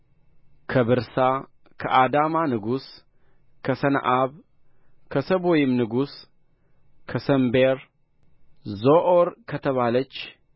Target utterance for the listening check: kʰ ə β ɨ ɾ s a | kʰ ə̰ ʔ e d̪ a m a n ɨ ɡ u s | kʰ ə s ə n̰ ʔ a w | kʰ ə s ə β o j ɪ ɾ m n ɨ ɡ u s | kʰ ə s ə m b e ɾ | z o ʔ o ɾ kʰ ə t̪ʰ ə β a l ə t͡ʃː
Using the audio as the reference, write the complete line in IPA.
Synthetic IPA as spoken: kʰ ə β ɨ ɾ s a | kʰ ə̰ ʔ a d̪ a m a n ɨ ɡ u s | kʰ ə s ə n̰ ʔ a β | kʰ ə s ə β o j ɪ m n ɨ ɡ u s | kʰ ə s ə m b e ɾ | z o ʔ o ɾ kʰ ə t̪ʰ ə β a l ə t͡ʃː

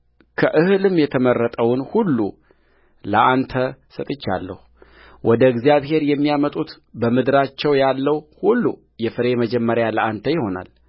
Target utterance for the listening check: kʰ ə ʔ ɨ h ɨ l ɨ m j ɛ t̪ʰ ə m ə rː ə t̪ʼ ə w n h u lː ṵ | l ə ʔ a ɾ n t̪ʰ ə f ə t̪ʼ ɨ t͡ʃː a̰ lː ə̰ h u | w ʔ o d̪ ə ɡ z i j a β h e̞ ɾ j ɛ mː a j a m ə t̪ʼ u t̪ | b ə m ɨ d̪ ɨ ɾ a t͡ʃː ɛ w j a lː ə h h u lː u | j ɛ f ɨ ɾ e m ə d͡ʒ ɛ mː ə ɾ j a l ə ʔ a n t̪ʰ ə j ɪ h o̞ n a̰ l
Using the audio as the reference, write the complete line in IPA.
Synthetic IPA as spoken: kʰ ə ʔ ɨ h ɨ l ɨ m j ɛ t̪ʰ ə m ə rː ə t̪ʼ ə w n h u lː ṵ | l ə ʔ a n t̪ʰ ə s ə t̪ʼ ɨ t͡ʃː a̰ lː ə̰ h u | w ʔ ɔ d̪ ə ɡ z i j a β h e̞ ɾ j ɛ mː i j a m ə t̪ʼ u t̪ | b ə m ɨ d̪ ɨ ɾ a t͡ʃː ɛ w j a lː ə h h u lː u | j ɛ f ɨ ɾ e m ə d͡ʒ ɛ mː ə ɾ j a l ə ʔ a n t̪ʰ ə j ɪ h o̞ n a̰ l

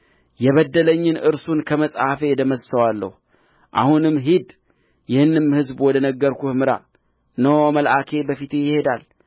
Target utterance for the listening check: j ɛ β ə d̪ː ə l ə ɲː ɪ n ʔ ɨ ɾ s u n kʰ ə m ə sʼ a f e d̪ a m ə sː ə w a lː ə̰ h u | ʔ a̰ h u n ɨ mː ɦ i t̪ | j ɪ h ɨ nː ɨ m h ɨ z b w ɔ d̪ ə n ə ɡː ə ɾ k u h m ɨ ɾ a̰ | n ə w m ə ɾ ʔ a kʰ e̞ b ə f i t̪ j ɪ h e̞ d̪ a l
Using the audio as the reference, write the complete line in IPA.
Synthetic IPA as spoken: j ɛ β ə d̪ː ə l ə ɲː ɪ n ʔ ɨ ɾ s u n kʰ ə m ə sʼ a f e d̪ ə m ə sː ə w a lː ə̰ h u | ʔ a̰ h u n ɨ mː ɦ i d̪ | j ɪ h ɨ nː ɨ m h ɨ z b w ɔ d̪ ə n ə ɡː ə ɾ k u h m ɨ ɾ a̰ | n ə w m ə l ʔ a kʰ e̞ b ə f i t̪ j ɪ h e̞ d̪ a l

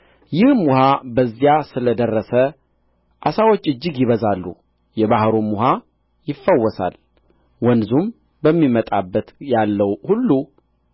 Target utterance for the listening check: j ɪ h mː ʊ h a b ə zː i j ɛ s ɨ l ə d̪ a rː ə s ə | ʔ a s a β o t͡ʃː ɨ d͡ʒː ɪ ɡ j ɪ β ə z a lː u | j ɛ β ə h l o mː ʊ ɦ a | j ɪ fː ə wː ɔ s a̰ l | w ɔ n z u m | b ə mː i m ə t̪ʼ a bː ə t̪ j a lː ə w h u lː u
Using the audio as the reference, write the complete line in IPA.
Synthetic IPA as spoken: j ɪ h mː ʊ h a b ə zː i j a s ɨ l ə d̪ ə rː ə s ə | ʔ a s a w o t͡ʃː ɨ d͡ʒː ɪ ɡ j ɪ β ə z a lː u | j ɛ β a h ɾ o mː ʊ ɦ a | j ɪ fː ə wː ɔ s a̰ l | w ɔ n z u m | b ə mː i m ə t̪ʼ a bː ə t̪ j a lː ə w h u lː u

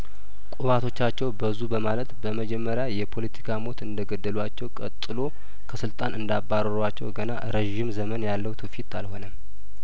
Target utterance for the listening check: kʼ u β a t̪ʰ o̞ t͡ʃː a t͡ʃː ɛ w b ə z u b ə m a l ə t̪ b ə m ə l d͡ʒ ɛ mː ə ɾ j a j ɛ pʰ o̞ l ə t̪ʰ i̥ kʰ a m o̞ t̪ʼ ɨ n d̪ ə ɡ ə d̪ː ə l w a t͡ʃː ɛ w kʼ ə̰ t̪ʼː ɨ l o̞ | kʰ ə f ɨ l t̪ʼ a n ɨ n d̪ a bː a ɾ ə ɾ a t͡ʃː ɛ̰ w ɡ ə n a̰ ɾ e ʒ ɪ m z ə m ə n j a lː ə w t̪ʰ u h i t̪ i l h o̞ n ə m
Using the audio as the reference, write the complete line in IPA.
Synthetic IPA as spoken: kʼ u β a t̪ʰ o̞ t͡ʃː a t͡ʃː ɛ w b ə z u b ə m a l ə t̪ b ə m ə d͡ʒ ɛ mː ə ɾ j a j ɛ pʰ o̞ l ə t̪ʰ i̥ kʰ a m o̞ t̪ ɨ n d̪ ə ɡ ə d̪ː ə l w a t͡ʃː ɛ w kʼ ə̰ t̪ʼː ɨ l o̞ | kʰ ə s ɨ l t̪ʼ a n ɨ n d̪ a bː a ɾ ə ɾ a t͡ʃː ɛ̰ w ɡ ə n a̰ ɾ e ʒ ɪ m z ə m ə n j a lː ə w t̪ʰ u f i t̪ a l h o̞ n ə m

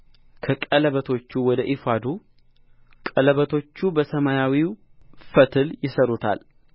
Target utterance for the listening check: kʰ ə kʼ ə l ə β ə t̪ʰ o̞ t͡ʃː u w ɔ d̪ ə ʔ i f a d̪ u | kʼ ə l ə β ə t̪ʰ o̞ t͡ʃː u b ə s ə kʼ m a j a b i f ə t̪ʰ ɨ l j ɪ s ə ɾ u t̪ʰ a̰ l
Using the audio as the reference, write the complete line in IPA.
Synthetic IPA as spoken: kʰ ə kʼ ə l ə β ə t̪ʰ o̞ t͡ʃː u w ɔ d̪ ə ʔ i f a d̪ u | kʼ ə l ə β ə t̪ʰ o̞ t͡ʃː u b ə s ə m a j a w i f ə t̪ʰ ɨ l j ɪ s ə ɾ u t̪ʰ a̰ l

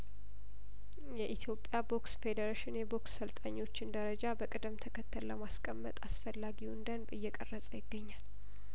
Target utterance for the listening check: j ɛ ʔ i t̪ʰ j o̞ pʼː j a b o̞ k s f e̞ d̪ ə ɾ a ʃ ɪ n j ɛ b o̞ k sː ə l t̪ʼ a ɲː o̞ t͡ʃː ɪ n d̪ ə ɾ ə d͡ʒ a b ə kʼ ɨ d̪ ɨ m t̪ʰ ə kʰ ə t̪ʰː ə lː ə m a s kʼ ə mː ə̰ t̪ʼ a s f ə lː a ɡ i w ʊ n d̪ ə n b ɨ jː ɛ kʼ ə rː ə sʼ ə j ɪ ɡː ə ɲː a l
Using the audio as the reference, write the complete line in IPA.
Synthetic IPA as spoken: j ɛ ʔ i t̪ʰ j o̞ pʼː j a b o̞ k s f e̞ d̪ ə ɾ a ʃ ɪ n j ɛ b o̞ k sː ə l t̪ʼ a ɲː o̞ t͡ʃː ɪ n d̪ ə ɾ ə d͡ʒ a b ə kʼ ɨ d̪ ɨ m t̪ʰ ə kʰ ə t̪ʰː ə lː ə m a s kʼ ə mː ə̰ t̪ʼ a s f ə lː a ɡ i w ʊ n d̪ ə n b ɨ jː ɛ kʼ ə rː ə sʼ ə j ɪ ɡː ə ɲː a l

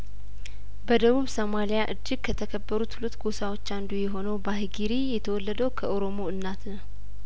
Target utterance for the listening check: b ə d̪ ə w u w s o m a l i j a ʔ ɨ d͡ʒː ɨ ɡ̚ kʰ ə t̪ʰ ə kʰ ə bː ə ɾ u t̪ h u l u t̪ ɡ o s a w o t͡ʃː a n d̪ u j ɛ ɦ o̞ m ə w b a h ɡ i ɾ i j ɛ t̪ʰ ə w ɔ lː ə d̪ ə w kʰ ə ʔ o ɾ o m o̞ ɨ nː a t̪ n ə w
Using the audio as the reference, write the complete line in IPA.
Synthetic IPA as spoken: b ə d̪ ə β u β s o m a l i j a ʔ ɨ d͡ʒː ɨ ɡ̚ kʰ ə t̪ʰ ə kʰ ə bː ə ɾ u t̪ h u l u t̪ ɡ o s a w o t͡ʃː a n d̪ u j ɛ ɦ o̞ n ə w b a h ɡ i ɾ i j ɛ t̪ʰ ə w ɔ lː ə d̪ ə w kʰ ə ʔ o ɾ o m o̞ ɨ nː a t̪ n ə w

